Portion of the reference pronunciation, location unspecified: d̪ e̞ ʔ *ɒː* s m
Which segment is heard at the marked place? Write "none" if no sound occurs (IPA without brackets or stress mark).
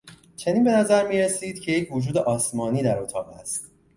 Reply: ɒː